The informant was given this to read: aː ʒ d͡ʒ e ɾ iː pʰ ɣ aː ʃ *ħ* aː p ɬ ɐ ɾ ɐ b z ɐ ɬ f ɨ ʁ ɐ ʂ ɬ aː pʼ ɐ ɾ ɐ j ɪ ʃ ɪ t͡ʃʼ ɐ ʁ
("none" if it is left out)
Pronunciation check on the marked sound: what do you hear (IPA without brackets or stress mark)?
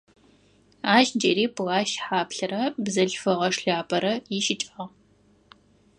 ħ